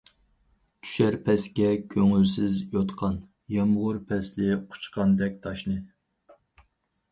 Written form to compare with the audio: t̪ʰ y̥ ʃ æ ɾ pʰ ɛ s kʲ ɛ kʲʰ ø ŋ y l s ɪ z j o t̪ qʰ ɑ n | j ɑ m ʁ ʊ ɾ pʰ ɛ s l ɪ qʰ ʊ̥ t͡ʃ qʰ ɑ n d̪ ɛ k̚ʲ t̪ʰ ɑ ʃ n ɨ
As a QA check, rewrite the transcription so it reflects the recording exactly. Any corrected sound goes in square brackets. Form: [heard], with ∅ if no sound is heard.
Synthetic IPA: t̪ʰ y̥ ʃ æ ɾ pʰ ɛ s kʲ ɛ kʲʰ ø ŋ y l s ɪ z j o t̪ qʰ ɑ n | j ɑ m ʁ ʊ ɾ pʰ ɛ s l ɪ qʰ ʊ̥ t͡ʃ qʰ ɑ n d̪ ɛ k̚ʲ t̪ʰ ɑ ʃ n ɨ